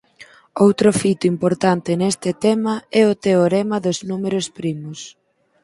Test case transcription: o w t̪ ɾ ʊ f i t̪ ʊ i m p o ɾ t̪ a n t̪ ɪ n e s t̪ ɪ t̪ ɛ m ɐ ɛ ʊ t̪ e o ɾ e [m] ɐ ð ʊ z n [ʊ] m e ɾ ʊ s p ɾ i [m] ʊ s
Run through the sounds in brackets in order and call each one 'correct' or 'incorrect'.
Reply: correct, incorrect, correct

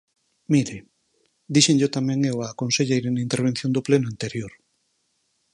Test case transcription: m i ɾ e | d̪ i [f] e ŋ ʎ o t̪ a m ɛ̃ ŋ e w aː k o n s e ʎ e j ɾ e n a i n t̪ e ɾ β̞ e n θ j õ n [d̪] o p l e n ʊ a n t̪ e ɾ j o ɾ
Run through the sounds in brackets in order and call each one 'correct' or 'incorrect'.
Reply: incorrect, correct

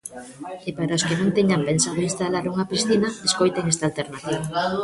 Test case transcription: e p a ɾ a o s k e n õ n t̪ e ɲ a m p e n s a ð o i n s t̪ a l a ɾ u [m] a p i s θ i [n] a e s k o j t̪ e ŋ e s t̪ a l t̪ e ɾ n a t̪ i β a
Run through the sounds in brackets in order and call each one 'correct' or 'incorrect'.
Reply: incorrect, correct

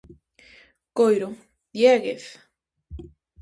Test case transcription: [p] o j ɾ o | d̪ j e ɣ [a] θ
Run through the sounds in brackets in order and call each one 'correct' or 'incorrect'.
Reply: incorrect, incorrect

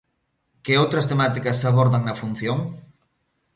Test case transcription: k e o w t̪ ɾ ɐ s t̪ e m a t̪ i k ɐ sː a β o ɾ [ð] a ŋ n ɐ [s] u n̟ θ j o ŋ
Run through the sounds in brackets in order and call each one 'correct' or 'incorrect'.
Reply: correct, incorrect

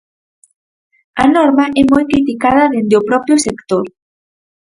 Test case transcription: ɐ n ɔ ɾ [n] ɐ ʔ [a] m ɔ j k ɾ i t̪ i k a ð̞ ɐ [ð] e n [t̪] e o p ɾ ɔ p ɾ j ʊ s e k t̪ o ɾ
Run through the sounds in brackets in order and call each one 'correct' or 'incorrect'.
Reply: incorrect, incorrect, correct, incorrect

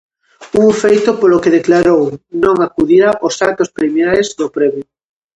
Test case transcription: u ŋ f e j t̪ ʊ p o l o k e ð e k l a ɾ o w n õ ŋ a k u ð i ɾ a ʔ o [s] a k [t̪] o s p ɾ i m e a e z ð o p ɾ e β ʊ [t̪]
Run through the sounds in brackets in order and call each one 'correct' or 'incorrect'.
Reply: correct, correct, incorrect

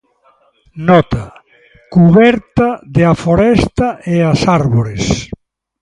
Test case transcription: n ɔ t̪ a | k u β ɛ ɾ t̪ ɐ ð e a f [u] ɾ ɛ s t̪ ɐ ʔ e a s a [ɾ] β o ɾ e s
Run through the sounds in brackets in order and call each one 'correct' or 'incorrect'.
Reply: incorrect, correct

